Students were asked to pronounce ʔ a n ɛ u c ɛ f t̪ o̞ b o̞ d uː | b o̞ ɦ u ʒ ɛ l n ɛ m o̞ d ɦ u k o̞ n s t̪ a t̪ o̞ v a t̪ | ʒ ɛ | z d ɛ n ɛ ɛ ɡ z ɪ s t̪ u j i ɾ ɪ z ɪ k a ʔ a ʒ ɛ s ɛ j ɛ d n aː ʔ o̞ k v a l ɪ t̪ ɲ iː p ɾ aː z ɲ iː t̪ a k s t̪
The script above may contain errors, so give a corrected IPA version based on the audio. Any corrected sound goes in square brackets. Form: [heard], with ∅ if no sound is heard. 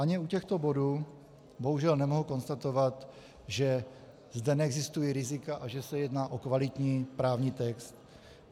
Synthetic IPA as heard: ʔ a [ɲ] ɛ u c ɛ [x] t̪ o̞ b o̞ d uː | b o̞ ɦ u ʒ ɛ l n ɛ m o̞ [∅] ɦ u k o̞ n s t̪ a t̪ o̞ v a t̪ | ʒ ɛ | z d ɛ n ɛ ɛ ɡ z ɪ s t̪ u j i ɾ ɪ z ɪ k a ʔ a ʒ ɛ s ɛ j ɛ d n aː ʔ o̞ k v a l ɪ t̪ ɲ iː p ɾ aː [v] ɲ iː t̪ [ɛ] k s t̪